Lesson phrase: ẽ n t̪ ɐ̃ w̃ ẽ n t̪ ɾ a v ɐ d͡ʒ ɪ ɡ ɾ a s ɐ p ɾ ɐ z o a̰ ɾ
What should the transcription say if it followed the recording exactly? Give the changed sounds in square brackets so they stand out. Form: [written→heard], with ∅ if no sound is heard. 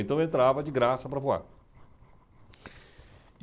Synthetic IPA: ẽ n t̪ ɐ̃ w̃ ẽ n t̪ ɾ a v ɐ d͡ʒ ɪ ɡ ɾ a s ɐ p ɾ ɐ [z→v] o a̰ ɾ